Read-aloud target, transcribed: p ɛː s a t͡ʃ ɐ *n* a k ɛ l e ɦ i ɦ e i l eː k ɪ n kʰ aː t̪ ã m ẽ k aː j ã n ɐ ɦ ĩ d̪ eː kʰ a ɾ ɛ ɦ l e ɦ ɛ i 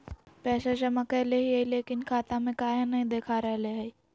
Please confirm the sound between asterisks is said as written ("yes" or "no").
no